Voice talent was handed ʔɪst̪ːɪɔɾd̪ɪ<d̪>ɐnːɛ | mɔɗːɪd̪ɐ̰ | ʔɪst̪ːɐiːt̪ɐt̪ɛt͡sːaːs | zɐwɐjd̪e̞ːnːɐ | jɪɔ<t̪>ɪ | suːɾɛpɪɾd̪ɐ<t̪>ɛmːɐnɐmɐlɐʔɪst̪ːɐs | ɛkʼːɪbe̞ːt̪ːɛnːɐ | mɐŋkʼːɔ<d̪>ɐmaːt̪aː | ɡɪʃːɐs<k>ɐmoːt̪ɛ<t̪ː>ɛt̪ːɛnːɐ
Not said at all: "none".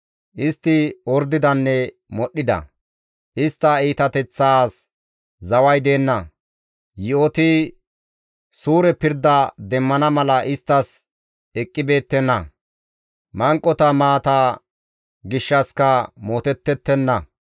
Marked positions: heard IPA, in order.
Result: d̪, t̪, d̪, t̪, k, t̪ː

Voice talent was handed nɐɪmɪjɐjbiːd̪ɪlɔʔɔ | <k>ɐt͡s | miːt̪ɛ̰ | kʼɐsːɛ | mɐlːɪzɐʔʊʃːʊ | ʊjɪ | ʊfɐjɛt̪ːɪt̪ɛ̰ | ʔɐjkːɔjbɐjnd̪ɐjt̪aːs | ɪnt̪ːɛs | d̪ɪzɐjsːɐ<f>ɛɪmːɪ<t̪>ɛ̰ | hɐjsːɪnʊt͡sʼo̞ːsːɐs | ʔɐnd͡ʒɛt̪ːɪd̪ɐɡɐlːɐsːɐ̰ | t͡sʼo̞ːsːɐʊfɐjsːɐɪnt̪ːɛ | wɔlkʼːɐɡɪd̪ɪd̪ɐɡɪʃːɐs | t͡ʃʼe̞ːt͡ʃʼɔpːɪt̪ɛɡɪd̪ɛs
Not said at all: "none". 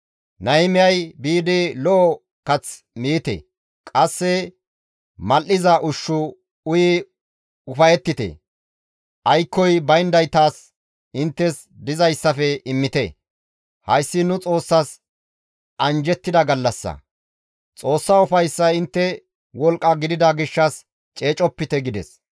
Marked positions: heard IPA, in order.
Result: k, f, t̪

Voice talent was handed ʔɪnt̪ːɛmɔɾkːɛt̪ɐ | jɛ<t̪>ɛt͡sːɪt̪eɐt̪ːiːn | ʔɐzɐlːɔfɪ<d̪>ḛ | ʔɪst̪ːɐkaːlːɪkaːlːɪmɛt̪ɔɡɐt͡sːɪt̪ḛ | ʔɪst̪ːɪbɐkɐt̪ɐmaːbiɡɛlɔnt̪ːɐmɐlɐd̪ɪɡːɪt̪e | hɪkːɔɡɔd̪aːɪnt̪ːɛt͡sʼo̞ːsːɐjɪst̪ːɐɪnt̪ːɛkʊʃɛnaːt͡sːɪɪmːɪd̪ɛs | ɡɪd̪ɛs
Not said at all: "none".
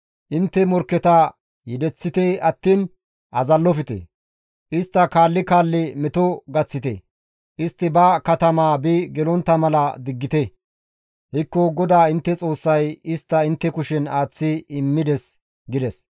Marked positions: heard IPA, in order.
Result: d̪, t̪

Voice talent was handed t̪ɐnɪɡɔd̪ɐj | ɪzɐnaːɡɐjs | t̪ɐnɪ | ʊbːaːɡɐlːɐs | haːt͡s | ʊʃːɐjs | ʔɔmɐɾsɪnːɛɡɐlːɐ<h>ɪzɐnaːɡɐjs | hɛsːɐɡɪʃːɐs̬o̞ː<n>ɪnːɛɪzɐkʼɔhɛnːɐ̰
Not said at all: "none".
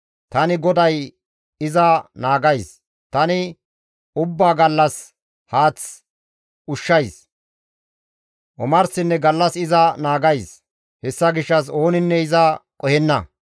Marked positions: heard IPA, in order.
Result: s, n

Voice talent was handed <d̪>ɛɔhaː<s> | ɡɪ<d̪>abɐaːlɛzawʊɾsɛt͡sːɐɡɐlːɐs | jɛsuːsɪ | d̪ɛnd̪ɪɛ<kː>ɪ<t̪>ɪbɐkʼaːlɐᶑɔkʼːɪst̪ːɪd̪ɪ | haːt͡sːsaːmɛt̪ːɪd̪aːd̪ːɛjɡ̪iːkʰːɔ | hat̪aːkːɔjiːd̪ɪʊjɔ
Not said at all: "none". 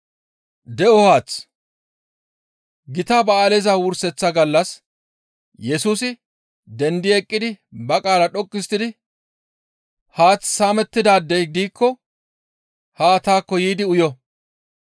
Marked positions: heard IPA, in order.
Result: d̪, t͡s, t̪, kʼː, d̪

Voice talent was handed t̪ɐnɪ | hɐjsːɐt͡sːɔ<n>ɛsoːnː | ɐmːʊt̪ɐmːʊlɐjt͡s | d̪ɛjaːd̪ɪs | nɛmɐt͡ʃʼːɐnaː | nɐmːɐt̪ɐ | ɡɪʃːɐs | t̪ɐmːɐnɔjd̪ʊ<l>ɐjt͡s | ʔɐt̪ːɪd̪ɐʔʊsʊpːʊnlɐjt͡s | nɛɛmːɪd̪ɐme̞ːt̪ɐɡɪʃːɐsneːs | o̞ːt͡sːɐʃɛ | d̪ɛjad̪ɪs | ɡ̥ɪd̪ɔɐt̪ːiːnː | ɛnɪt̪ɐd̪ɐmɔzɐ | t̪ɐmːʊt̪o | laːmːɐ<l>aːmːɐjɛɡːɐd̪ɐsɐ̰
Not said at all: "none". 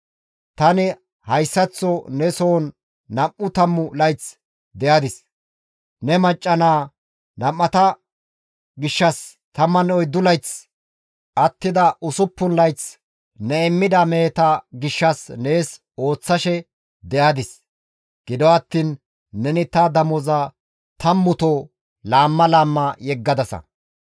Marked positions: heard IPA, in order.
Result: n, l, l

